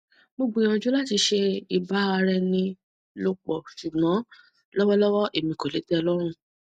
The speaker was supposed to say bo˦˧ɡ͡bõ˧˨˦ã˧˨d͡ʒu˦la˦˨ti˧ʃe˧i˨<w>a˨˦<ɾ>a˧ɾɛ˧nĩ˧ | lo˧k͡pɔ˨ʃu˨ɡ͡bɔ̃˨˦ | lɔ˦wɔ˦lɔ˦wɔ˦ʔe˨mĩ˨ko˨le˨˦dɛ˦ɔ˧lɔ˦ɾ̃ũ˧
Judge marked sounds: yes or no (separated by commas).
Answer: no, no